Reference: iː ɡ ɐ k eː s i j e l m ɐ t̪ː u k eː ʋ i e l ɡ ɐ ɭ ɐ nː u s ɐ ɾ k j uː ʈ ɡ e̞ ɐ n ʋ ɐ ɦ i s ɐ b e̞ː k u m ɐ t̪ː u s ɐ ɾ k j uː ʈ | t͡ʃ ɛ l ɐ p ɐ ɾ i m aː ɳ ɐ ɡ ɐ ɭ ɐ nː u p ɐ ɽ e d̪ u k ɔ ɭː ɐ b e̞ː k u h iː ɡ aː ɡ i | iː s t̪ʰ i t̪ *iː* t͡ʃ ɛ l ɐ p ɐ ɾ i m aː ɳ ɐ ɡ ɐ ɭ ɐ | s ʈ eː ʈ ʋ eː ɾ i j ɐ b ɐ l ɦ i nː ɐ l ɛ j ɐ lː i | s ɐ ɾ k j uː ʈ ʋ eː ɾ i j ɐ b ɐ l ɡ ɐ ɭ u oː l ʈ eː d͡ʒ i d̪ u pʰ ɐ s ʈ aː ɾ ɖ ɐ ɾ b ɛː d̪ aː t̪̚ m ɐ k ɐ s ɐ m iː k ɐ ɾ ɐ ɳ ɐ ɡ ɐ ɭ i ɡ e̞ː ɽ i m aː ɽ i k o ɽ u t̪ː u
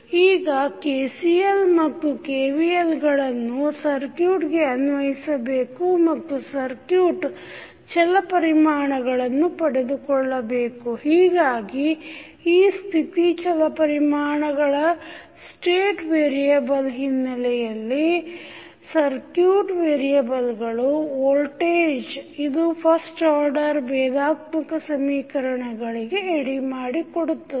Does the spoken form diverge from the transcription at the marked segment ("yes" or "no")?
yes